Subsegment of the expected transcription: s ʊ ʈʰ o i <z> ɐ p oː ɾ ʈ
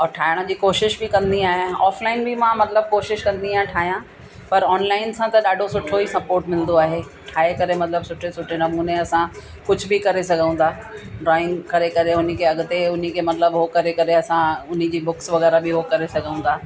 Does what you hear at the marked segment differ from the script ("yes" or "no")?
yes